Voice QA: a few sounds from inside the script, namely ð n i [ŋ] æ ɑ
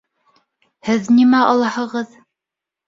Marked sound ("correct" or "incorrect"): incorrect